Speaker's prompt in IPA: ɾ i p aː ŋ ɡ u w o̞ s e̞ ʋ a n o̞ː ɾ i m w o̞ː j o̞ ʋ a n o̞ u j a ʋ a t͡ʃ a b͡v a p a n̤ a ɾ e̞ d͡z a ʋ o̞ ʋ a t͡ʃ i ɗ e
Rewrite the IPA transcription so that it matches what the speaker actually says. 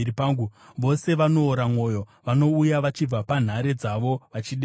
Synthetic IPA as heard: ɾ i p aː ŋ ɡ u ʋ o̞ s e̞ ʋ a n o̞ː ɾ a m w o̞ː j o̞ ʋ a n o̞ u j a ʋ a t͡ʃ i b͡v a p a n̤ a ɾ e̞ d͡z a ʋ o̞ ʋ a t͡ʃ i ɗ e

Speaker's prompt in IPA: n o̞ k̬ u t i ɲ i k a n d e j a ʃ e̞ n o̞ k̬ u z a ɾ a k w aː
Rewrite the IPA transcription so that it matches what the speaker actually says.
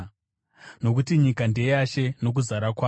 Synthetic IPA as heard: n o̞ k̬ u t i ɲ i k a n d e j a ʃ e̞ n o̞ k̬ u z a ɾ a k w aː

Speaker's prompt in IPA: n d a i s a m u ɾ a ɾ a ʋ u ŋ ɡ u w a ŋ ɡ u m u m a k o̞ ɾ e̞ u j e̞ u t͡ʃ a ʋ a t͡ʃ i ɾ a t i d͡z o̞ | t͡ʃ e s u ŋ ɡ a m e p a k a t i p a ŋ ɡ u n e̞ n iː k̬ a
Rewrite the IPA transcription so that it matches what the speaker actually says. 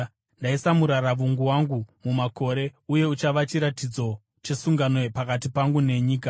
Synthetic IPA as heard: n d a i s a m u ɾ a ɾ a ʋ u ŋ ɡ u w a ŋ ɡ u m u m a k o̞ ɾ e̞ u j e̞ u t͡ʃ a ʋ a t͡ʃ i ɾ a t i d͡z o̞ | t͡ʃ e s u ŋ ɡ a n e p a k a t i p a ŋ ɡ u n e̞ ɲ iː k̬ a

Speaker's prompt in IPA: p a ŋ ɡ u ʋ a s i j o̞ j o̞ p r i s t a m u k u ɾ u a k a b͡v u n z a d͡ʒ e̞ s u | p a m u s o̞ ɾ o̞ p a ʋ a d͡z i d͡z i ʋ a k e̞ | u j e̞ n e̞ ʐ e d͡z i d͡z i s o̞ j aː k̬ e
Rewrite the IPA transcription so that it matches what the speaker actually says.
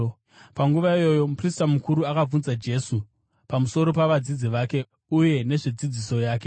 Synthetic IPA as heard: p a ŋ ɡ u ʋ a i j o̞ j o̞ p r i s t a m u k u ɾ u a k a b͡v u n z a d͡ʒ e̞ s u | p a m u s o̞ ɾ o̞ p a ʋ a d͡z i d͡z i ʋ a k e̞ | u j e̞ n e̞ ʐ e d͡z i d͡z i s o̞ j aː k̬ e

